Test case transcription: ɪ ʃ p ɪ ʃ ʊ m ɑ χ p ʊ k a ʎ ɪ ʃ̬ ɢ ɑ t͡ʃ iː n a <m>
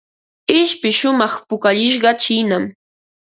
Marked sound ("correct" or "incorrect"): correct